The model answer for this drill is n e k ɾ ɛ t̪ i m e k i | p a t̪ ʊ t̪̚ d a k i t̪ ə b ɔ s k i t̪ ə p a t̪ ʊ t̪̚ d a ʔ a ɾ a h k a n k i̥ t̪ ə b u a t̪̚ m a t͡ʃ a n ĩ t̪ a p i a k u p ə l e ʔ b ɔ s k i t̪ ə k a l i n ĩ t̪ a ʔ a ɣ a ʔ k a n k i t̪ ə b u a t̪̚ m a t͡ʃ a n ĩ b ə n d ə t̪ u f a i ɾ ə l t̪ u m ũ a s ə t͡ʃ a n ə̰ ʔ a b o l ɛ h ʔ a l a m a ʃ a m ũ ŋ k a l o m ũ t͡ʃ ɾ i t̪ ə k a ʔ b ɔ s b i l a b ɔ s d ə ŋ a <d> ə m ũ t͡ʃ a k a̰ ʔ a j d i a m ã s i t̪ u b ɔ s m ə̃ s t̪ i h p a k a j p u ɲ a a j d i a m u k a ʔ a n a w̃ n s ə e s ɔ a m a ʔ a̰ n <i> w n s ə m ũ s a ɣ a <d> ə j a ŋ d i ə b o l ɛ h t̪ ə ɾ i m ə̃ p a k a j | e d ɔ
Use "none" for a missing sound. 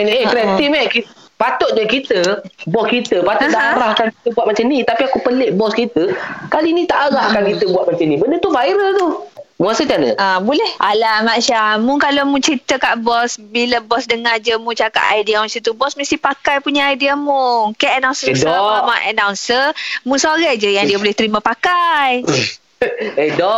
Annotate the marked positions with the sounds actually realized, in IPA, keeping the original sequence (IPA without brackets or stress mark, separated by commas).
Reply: d͡ʒ, a, d͡ʒ